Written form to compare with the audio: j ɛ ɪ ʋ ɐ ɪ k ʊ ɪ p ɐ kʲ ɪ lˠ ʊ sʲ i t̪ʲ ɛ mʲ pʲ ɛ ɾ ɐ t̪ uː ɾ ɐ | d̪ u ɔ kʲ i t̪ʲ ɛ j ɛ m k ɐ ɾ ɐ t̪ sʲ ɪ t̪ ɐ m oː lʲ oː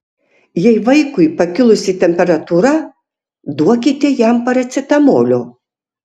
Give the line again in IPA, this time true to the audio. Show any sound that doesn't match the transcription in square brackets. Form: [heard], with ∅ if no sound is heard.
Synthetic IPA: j ɛ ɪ ʋ ɐ ɪ k ʊ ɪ p ɐ kʲ ɪ lˠ ʊ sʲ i t̪ʲ ɛ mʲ pʲ ɛ ɾ ɐ t̪ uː ɾ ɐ | d̪ u ɔ kʲ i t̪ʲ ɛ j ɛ m [p] ɐ ɾ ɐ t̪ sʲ ɪ t̪ ɐ m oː lʲ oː